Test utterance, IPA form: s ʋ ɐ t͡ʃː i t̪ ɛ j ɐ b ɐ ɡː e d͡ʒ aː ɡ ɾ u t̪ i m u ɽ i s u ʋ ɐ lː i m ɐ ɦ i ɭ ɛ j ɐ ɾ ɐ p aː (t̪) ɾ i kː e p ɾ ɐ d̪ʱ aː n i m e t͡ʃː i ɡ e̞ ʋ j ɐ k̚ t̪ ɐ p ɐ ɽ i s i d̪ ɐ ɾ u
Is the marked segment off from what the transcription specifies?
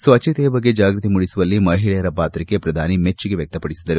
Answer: no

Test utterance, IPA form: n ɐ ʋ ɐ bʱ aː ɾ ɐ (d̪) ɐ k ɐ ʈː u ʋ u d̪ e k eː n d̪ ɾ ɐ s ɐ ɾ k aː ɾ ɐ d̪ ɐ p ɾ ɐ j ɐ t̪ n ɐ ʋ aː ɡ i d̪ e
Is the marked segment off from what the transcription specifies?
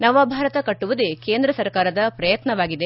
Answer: yes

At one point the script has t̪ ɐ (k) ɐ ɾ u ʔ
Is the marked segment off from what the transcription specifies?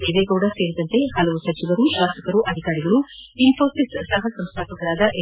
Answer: no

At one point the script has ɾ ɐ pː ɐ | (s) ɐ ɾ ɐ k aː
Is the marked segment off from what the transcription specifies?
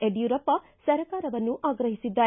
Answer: no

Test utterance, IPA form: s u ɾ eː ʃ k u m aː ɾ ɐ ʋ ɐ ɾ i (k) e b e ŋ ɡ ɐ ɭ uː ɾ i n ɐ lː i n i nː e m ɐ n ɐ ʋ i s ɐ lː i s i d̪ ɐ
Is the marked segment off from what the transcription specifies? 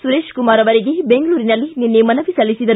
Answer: yes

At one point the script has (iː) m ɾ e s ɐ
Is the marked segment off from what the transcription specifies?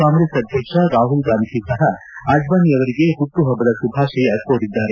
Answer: yes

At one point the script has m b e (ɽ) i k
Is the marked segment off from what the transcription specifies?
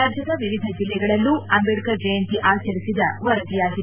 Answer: no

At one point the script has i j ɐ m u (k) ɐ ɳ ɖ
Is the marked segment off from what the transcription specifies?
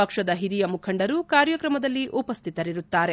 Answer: yes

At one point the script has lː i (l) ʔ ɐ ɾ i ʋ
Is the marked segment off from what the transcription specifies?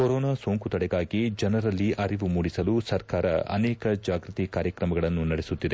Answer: yes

